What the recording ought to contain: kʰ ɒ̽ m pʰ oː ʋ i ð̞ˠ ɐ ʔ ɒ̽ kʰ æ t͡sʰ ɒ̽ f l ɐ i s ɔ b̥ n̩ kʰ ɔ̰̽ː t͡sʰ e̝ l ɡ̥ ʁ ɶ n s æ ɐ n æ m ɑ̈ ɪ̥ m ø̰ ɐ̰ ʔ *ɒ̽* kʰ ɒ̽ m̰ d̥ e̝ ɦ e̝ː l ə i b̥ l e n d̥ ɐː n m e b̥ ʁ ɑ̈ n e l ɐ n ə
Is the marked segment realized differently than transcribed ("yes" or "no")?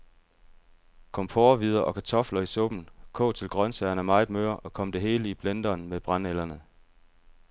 no